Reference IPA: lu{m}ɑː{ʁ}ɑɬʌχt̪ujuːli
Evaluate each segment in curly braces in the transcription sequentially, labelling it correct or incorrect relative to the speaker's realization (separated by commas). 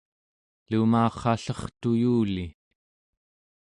correct, incorrect